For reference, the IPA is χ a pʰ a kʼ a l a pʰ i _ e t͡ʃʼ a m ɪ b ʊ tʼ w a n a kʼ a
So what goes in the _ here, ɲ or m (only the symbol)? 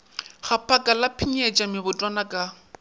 ɲ